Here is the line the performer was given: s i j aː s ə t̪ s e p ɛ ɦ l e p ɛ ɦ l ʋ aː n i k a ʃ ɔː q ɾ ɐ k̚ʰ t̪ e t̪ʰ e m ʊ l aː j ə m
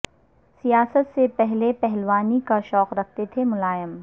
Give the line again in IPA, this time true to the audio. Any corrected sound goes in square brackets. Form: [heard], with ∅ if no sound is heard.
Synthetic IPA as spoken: s i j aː s ə t̪ s e p ɛ ɦ l e p ɛ ɦ l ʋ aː n i k a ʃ ɔː q ɾ ɐ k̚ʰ t̪ e t̪ʰ e m ʊ l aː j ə m